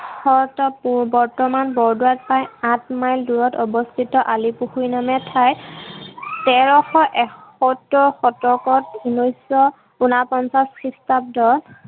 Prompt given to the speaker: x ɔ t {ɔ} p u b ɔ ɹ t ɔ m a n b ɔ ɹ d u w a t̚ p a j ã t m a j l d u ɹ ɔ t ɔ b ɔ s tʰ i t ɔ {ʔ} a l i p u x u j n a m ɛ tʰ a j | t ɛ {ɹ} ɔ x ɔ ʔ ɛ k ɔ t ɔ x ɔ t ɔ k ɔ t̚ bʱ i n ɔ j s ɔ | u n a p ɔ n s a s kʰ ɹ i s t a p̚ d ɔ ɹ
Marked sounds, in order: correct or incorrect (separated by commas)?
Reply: correct, correct, correct